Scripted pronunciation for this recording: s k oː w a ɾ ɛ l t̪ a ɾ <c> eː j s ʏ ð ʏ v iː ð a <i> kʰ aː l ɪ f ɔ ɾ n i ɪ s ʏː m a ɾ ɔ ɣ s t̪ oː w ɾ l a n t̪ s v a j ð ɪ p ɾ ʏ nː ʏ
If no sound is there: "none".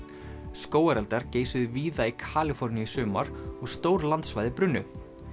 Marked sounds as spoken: c, i

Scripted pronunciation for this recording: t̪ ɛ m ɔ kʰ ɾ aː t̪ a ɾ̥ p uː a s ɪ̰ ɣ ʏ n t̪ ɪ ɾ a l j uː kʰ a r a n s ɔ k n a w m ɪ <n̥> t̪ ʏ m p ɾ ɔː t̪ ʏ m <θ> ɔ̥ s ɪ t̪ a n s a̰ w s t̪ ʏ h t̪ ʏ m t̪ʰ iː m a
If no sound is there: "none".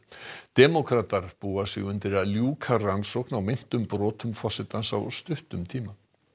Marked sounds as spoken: n̥, f

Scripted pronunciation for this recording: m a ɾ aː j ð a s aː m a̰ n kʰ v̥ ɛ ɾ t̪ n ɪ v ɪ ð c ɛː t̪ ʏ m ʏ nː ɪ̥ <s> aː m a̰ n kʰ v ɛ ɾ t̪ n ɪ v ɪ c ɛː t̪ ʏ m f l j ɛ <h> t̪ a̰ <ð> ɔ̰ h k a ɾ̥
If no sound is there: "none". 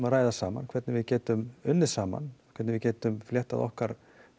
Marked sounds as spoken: s, h, ð

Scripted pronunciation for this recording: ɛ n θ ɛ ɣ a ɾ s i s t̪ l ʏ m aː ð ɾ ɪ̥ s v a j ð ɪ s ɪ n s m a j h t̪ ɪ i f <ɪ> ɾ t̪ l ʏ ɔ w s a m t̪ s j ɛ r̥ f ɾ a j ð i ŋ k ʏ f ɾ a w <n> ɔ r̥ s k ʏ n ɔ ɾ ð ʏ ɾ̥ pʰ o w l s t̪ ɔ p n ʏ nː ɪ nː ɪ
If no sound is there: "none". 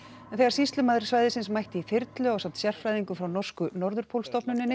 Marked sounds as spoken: ɪ, n

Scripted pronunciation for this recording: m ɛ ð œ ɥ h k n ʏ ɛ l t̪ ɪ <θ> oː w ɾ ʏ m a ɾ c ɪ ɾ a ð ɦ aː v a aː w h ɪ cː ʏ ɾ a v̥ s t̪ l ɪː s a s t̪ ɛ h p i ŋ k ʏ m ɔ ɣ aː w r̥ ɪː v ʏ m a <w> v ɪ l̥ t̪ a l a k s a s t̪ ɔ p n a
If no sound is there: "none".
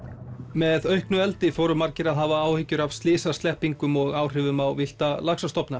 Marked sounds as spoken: f, w

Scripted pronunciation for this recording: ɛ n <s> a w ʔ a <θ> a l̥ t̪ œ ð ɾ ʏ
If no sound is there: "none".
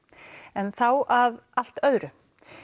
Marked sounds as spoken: θ, ð

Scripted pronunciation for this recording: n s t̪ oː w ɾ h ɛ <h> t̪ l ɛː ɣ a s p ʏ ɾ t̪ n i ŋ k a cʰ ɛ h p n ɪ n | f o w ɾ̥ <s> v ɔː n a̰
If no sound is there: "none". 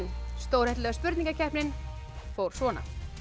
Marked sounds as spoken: h, s

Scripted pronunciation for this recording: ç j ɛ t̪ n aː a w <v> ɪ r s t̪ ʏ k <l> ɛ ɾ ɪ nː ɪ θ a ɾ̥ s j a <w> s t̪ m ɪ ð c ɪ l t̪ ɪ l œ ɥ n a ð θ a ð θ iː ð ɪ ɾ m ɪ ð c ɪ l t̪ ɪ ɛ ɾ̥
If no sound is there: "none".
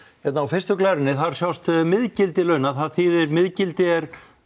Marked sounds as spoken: f, l, w

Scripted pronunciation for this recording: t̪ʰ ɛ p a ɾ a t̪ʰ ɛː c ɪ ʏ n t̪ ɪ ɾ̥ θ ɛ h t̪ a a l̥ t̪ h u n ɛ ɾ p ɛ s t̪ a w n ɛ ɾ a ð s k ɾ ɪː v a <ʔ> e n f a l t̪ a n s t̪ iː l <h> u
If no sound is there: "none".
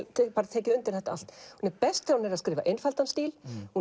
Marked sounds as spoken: ʔ, h

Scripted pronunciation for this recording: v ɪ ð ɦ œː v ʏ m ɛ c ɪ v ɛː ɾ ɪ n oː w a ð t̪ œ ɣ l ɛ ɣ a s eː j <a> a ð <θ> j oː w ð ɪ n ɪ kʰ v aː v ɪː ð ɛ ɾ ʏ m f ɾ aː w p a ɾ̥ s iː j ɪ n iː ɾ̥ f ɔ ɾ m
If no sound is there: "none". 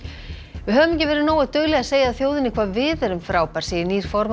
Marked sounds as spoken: a, θ

